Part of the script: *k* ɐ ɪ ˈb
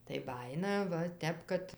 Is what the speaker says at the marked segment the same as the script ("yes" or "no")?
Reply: no